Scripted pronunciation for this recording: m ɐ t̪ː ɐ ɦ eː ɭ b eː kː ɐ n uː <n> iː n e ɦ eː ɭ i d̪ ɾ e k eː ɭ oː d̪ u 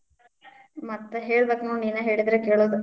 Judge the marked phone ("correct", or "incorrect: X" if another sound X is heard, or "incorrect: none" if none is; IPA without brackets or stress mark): correct